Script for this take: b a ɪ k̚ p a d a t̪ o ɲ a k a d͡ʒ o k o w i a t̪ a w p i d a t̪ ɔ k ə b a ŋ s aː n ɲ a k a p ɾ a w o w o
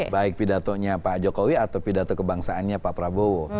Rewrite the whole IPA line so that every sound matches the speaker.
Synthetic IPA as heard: b a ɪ k̚ p i d a t̪ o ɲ a p a d͡ʒ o k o w i a t̪ a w p i d a t̪ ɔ k ə b a ŋ s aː n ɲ a p a p ɾ a b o w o

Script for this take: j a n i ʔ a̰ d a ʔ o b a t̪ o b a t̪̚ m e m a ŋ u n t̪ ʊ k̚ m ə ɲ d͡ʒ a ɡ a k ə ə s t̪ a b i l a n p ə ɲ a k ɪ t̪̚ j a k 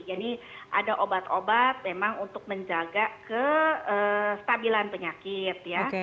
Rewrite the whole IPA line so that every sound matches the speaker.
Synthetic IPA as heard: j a n i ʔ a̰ d a ʔ o b a t̪ o b a t̪̚ m e m a ŋ u n t̪ ʊ k̚ m ə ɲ d͡ʒ a ɡ a k ə ə s t̪ a b i l a n p ə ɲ a k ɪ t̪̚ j a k

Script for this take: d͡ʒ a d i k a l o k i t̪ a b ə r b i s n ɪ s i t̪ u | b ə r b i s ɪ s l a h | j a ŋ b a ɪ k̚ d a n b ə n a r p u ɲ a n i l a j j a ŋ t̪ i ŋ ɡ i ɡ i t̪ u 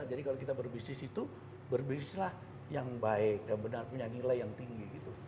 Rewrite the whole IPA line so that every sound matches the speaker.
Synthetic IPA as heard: d͡ʒ a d i k a l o k i t̪ a b ə r b i s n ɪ s i t̪ u | b ə r b i s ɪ s l a h | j a ŋ b a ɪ k̚ d a n b ə n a r p u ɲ a n i l a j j a ŋ t̪ i ŋ ɡ i ɡ i t̪ u

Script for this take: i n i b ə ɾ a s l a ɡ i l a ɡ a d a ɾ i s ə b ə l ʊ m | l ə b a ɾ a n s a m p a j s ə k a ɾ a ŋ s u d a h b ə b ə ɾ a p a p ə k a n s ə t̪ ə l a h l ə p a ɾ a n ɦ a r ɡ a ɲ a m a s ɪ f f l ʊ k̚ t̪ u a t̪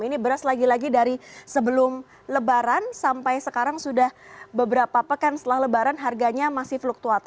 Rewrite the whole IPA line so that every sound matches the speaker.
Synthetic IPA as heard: i n i b ə ɾ a s l a ɡ i l a ɡ i d a ɾ i s ə b ə l ʊ m | l ə b a ɾ a n s a m p a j s ə k a ɾ a ŋ s u d a h b ə b ə ɾ a p a p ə k a n s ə t̪ ə l a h l ə b a ɾ a n ɦ a r ɡ a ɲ a m a s ɪ h f l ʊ k̚ t̪ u a t̪

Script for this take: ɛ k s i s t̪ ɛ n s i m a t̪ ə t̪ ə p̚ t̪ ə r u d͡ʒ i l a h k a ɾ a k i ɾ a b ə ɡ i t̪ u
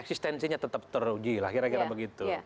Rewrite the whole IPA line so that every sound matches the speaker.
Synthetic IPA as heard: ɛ k s i s t̪ ɛ n s i ɲ a t̪ ə t̪ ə p̚ t̪ ə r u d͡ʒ i l a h k i ɾ a k i ɾ a b ə ɡ i t̪ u

